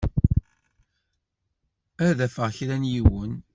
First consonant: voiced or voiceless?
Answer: voiced